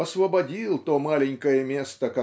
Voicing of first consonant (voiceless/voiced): voiceless